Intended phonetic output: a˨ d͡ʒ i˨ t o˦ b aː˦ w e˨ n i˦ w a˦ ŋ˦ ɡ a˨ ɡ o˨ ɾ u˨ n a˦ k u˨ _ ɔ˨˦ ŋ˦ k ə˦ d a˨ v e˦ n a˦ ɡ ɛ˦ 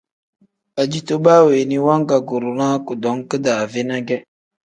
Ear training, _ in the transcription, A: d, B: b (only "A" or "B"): A